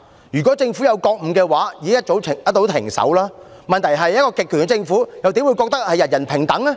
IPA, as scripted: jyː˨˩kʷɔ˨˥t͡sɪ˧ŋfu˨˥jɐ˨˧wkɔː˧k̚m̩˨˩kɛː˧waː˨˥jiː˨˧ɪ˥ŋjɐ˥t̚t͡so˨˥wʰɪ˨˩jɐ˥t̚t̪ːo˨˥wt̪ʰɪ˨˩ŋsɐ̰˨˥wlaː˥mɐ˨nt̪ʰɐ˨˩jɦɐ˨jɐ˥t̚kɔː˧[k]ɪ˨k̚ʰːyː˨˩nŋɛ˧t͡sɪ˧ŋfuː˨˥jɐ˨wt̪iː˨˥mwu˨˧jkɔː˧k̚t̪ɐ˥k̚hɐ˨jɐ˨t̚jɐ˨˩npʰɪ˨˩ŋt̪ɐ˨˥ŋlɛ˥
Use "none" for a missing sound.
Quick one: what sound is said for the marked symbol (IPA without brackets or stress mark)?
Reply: k